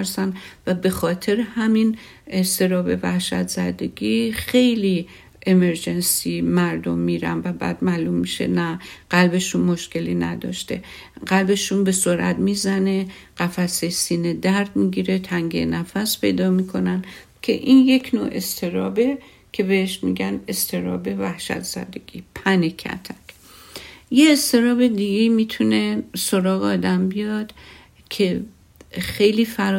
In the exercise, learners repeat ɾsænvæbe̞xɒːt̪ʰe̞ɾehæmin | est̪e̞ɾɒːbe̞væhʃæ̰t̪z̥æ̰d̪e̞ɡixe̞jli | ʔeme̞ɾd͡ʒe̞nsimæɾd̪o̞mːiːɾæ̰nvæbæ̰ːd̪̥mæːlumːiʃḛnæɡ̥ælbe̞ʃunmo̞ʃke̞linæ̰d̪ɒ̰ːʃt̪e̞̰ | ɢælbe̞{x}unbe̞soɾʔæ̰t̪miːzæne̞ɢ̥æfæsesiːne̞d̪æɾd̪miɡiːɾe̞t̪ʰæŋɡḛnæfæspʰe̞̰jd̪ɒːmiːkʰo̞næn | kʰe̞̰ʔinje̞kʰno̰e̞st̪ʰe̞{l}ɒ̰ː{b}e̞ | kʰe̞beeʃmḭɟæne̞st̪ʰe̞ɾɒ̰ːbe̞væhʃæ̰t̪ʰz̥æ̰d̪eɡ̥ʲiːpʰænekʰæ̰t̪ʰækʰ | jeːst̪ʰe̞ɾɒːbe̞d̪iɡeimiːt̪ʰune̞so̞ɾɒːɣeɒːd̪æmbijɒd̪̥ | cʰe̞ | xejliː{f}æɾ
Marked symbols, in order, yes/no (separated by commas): no, no, yes, yes